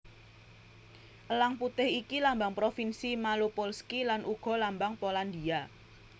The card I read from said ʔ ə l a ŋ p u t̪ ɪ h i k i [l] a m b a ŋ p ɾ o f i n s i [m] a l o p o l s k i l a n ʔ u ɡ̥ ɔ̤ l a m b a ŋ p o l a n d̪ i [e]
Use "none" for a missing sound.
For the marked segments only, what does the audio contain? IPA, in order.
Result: l, m, a

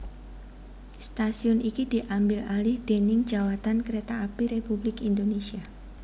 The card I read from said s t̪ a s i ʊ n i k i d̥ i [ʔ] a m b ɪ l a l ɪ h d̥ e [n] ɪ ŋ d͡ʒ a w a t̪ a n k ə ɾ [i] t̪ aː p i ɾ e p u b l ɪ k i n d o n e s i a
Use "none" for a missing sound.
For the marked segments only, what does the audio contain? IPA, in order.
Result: ʔ, n, e

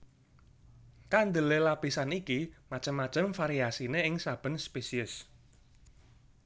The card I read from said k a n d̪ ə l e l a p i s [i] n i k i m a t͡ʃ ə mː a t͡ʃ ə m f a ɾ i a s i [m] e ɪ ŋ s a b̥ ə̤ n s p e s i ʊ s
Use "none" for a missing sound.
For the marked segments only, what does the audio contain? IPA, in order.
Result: a, n

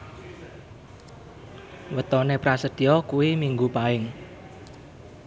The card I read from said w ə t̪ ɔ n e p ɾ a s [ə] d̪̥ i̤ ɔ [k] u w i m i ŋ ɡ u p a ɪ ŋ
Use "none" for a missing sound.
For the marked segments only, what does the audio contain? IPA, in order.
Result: ə, k

